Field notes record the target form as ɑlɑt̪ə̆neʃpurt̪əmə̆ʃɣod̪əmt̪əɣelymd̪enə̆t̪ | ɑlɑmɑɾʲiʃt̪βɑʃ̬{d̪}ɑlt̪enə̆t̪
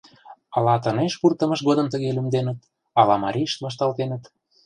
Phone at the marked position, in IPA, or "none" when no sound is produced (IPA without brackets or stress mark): t̪